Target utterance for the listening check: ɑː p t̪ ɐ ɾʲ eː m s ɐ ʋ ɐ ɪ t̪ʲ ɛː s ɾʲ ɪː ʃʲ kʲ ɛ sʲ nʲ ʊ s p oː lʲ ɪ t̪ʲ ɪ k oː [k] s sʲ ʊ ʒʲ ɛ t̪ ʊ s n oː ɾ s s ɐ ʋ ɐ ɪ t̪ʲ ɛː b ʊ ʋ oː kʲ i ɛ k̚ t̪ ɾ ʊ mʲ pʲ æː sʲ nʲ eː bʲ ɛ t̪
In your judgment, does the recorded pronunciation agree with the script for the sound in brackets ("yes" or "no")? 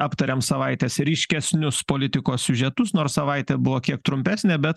no